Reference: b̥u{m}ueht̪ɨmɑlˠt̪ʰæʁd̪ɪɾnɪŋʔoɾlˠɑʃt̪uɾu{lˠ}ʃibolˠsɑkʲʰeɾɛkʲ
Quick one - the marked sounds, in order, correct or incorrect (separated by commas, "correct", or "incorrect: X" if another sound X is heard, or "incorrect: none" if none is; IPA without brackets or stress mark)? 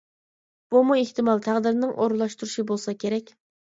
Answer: correct, incorrect: none